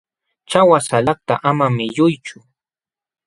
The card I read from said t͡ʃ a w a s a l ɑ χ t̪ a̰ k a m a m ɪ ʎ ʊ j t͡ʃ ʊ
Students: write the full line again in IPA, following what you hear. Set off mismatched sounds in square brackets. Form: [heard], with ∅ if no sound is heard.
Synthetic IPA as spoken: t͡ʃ a w a s a l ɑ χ t̪ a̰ [ʔ] a m a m ɪ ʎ ʊ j t͡ʃ ʊ